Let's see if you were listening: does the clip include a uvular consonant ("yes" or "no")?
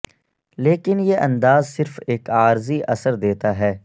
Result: no